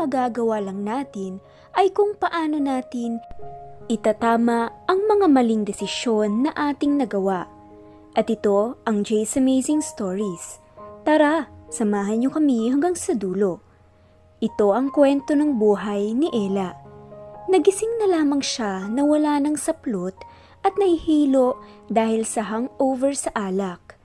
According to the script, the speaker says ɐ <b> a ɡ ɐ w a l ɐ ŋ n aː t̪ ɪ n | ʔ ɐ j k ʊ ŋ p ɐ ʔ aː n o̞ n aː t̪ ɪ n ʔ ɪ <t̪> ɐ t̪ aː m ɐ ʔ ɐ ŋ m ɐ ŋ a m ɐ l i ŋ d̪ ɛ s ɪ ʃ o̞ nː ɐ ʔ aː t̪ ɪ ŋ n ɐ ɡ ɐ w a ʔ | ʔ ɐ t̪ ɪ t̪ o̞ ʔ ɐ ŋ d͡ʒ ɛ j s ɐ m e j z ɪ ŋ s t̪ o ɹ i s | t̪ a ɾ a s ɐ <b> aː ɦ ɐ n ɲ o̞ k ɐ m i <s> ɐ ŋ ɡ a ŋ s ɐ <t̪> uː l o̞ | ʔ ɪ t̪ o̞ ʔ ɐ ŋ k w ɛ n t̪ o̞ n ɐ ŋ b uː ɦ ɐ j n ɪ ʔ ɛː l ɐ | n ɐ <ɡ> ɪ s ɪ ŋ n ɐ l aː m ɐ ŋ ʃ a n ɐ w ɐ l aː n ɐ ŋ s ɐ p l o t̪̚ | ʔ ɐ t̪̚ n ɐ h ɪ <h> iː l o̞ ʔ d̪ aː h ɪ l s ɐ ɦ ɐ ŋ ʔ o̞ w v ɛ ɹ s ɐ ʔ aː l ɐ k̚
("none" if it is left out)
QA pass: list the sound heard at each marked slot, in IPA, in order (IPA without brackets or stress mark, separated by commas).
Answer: ɡ, t̪, m, h, d̪, ɡ, h